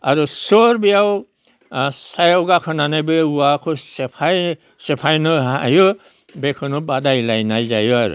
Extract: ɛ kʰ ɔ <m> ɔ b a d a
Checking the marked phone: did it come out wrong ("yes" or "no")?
yes